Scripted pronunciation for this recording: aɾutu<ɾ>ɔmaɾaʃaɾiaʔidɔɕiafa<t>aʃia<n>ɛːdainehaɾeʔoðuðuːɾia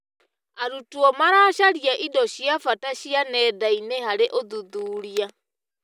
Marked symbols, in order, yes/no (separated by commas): no, yes, yes